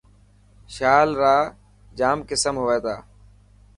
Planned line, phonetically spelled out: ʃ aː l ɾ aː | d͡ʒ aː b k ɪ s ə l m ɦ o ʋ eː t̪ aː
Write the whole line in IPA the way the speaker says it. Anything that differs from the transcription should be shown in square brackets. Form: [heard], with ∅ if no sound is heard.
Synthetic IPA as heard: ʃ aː l ɾ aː | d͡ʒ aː [m] k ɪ s ə [∅] m ɦ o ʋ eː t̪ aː